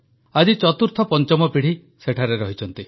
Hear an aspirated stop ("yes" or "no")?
yes